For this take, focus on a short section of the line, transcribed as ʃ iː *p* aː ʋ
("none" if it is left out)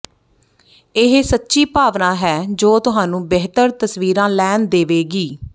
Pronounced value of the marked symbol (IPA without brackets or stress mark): p